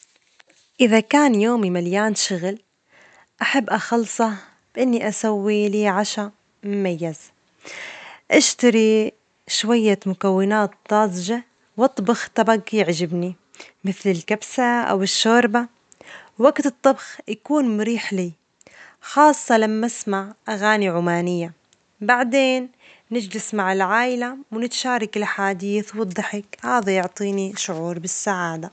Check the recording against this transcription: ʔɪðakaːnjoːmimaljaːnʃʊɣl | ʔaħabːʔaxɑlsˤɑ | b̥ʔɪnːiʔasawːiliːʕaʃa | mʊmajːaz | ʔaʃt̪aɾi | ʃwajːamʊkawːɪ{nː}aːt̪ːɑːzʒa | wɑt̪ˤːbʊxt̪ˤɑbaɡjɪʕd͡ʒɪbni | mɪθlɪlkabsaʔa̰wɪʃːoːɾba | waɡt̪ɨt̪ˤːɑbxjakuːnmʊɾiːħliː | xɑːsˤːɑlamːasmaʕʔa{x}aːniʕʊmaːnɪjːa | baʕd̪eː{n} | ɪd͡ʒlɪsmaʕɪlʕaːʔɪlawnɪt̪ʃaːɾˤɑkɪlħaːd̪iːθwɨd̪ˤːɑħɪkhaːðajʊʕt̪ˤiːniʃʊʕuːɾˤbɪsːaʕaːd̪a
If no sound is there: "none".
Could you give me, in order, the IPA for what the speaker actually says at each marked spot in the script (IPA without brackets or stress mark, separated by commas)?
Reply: n, ɣ, nː